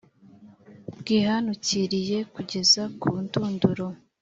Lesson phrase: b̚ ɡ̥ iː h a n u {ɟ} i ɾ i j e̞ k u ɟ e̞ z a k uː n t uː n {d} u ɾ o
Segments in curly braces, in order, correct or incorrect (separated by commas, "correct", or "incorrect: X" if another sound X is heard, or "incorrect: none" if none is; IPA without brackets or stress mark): incorrect: c, correct